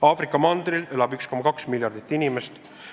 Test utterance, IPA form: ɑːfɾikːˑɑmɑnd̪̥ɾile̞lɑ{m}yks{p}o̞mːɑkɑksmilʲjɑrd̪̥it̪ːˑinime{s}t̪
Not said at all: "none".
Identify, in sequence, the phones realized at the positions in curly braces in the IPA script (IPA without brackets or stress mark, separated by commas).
b, k, s